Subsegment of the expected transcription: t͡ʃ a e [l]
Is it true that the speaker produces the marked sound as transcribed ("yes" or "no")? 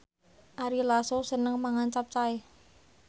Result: no